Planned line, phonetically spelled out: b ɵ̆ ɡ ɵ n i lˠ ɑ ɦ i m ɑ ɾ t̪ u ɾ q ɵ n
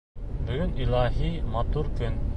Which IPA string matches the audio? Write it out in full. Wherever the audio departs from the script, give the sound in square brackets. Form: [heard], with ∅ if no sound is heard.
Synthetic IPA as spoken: b ɵ̆ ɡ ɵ n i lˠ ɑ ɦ i m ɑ [∅] t̪ u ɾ [k] ɵ n